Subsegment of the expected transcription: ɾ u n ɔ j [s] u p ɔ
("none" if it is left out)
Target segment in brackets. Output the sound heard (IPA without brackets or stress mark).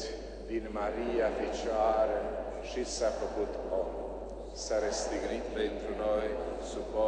s